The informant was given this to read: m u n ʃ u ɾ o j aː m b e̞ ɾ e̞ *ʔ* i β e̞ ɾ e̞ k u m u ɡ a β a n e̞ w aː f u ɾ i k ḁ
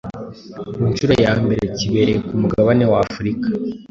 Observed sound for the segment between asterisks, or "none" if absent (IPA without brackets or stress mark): c